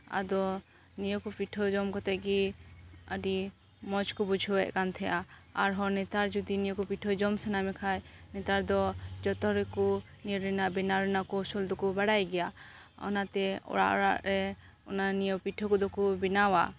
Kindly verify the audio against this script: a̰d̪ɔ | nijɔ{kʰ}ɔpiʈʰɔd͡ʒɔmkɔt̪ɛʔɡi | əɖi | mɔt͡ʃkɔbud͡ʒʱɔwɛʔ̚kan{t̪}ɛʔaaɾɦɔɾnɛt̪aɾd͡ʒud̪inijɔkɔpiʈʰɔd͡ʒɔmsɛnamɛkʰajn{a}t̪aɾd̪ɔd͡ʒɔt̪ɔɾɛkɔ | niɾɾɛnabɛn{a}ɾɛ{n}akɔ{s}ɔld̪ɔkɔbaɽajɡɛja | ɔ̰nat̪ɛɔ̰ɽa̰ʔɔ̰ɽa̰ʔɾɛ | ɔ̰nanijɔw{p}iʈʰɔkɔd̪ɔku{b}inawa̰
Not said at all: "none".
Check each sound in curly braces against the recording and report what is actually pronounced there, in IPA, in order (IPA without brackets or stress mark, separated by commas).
k, t̪ʰ, ɛ, a, n, s, p, b